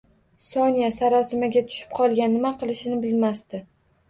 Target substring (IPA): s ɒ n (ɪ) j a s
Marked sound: incorrect: i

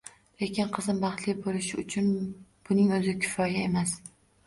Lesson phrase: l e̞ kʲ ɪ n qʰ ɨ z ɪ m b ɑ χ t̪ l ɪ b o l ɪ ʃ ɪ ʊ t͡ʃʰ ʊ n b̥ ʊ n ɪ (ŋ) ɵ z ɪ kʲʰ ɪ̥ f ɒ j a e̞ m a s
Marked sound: correct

